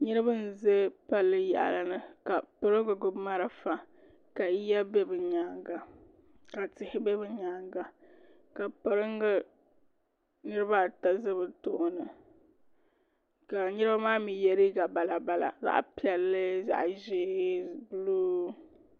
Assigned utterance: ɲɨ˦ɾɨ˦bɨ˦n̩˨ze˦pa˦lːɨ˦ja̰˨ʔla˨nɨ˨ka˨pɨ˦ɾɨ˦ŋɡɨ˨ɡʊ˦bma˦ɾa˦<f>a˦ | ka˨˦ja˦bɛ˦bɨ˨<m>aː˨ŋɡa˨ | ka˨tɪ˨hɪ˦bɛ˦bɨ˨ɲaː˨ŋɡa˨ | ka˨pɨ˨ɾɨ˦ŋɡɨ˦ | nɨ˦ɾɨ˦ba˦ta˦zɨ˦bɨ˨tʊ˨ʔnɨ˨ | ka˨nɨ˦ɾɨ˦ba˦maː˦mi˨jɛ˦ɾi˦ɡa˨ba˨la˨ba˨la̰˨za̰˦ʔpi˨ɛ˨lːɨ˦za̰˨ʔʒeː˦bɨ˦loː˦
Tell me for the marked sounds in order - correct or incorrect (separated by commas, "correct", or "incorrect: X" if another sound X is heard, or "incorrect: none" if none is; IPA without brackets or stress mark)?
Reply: correct, incorrect: ɲ